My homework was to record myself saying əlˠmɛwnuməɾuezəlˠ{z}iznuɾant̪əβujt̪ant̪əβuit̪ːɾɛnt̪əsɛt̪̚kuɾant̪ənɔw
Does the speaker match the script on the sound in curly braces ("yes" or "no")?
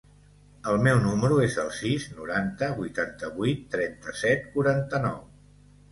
no